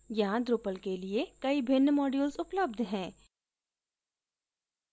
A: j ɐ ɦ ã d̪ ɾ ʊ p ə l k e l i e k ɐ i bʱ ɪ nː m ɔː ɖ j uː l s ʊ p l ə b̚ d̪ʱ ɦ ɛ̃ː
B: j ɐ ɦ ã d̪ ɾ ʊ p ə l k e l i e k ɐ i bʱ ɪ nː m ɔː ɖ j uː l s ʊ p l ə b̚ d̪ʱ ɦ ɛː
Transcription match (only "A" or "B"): A